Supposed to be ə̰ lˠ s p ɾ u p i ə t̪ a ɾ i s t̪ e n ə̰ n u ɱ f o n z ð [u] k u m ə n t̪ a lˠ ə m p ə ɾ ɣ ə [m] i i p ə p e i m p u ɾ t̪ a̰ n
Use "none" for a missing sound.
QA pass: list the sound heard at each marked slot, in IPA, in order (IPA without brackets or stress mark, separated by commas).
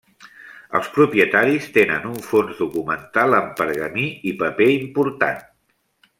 u, m